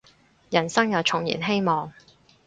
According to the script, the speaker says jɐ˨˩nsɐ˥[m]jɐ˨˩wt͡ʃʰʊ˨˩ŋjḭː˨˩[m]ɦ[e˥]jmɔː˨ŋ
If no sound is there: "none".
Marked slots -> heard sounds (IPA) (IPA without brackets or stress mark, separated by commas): ŋ, n, e˥